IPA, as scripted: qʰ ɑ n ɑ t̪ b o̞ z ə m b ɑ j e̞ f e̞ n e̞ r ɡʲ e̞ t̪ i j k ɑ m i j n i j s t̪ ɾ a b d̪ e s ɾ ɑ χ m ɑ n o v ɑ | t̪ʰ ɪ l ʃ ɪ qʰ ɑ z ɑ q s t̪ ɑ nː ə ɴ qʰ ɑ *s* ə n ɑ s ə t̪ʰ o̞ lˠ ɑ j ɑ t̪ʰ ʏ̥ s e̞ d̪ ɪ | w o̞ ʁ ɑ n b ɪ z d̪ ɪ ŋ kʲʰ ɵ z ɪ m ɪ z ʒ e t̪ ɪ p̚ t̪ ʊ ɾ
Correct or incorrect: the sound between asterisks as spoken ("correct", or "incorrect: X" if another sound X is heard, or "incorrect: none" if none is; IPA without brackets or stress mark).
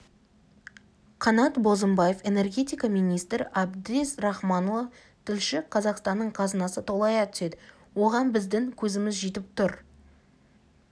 incorrect: z